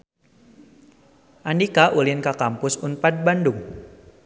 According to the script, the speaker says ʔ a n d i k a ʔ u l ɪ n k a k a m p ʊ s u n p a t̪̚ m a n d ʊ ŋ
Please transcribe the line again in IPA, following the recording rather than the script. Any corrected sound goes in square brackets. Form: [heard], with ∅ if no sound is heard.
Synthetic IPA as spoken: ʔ a n d i k a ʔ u l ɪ n k a k a m p ʊ s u n p a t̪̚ [b] a n d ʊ ŋ